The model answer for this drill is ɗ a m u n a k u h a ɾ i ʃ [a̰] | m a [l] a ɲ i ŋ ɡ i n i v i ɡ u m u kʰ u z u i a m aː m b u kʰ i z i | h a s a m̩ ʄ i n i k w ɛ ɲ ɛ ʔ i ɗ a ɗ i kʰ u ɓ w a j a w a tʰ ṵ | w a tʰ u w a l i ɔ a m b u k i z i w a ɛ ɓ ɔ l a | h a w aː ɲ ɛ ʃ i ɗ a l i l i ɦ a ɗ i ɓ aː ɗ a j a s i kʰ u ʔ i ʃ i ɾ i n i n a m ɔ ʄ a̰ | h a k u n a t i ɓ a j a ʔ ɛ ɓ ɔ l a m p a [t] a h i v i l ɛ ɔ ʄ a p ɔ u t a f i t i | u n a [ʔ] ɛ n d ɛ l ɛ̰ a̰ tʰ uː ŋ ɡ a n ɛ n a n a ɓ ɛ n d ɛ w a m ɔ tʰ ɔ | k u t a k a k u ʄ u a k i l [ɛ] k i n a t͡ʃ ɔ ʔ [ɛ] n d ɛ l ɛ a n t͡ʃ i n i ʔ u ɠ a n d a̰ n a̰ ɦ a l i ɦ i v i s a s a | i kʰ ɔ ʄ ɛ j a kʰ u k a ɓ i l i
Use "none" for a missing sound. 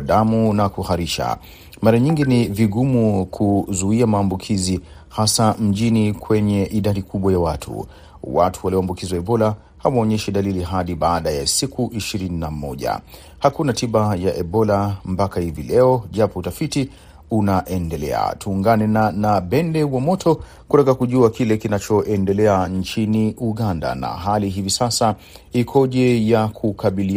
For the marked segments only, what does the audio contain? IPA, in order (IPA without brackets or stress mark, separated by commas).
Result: a̰, ɾ, k, ʔ, ɛ, ɛ